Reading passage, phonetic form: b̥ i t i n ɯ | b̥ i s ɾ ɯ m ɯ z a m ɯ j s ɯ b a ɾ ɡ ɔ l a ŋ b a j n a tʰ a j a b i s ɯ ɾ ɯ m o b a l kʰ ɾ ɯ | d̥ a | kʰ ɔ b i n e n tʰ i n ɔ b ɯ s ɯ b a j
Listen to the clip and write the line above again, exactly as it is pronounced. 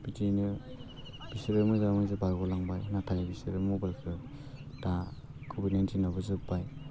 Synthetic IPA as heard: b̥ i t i n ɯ | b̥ i s ɾ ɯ m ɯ z a m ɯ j z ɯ b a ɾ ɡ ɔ l a ŋ b a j n a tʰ a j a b i s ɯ ɾ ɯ m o b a l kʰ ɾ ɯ | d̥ a | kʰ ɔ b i n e n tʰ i n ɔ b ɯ z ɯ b a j